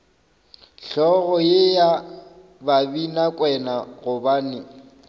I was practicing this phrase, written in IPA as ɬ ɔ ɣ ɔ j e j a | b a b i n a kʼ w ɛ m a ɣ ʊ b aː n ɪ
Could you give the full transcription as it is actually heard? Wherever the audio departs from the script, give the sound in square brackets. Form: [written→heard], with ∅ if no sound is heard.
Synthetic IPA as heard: ɬ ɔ ɣ ɔ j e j a | b a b i n a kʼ w ɛ [m→n] a ɣ ʊ b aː n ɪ